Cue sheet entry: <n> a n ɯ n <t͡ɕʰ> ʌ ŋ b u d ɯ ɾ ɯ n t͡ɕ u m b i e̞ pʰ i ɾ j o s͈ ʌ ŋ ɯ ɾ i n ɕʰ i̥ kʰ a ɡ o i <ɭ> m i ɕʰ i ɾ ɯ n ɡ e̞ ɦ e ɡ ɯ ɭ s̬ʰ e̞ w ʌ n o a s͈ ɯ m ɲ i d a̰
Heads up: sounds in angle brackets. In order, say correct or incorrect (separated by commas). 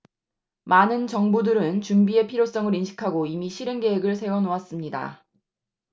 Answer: incorrect, incorrect, incorrect